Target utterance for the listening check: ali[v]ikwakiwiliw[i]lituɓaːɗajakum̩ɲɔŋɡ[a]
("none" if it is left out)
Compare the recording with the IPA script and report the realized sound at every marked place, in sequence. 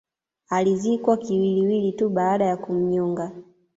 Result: z, i, a

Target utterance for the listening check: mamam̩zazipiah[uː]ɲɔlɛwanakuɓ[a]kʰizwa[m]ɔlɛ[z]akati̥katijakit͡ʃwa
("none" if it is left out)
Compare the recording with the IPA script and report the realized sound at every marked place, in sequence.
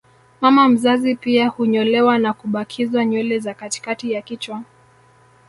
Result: u, a, ɲ, z

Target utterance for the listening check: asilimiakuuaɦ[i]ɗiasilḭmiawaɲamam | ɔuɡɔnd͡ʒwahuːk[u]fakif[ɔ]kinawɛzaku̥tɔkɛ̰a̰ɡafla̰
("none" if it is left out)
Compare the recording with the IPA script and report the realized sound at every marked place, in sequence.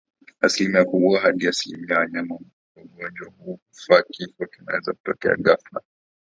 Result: a, u, ɔ

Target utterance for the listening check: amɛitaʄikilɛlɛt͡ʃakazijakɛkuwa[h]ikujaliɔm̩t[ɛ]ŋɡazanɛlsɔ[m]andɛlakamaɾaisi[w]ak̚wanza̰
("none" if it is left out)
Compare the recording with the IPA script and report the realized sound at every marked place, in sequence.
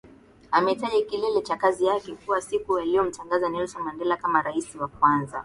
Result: s, a, m, w

